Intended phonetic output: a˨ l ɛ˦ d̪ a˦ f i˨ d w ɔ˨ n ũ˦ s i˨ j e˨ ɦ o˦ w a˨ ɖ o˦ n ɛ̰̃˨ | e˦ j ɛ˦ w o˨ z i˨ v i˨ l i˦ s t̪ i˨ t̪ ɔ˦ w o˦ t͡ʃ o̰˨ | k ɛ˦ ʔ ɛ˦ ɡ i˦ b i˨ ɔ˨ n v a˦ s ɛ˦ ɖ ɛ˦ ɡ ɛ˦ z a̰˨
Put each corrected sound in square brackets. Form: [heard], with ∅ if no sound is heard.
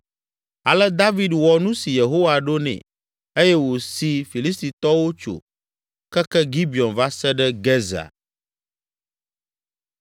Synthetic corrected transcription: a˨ l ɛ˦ d̪ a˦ [v] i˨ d w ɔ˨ n ũ˦ s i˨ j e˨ ɦ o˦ w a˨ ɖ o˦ n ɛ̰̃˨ | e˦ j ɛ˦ w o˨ [s] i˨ [f] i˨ l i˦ s t̪ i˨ t̪ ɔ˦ w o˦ t͡ʃ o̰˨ | k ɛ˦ [k] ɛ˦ ɡ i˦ b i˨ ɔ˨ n v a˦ s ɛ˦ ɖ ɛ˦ ɡ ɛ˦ z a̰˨